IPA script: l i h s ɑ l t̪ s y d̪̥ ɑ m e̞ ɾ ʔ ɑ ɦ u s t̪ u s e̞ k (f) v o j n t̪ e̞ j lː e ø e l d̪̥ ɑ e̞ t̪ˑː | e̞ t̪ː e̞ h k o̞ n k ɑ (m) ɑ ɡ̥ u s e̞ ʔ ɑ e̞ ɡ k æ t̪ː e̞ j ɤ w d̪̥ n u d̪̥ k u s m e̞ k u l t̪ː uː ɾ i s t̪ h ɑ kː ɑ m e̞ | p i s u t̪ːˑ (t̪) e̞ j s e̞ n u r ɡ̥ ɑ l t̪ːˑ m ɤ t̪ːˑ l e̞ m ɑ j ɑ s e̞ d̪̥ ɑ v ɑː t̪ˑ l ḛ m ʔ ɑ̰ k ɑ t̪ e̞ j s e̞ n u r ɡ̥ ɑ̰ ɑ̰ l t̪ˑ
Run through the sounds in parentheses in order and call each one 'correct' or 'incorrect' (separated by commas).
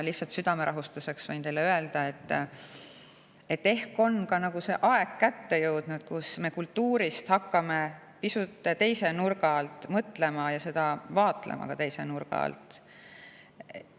incorrect, incorrect, correct